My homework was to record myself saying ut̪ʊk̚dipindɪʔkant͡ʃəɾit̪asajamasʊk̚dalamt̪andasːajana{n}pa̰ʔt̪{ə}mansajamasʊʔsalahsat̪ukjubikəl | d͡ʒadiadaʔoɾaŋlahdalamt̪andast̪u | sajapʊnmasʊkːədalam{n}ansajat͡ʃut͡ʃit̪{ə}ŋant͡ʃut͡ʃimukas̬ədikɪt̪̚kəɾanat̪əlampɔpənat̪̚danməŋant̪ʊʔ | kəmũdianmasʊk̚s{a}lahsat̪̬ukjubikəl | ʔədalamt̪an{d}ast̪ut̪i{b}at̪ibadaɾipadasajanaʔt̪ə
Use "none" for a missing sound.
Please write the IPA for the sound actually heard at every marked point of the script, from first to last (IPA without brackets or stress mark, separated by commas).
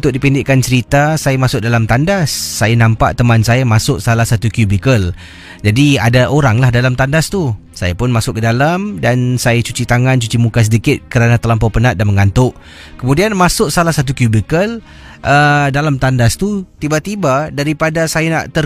m, ə, d, a, a, d, b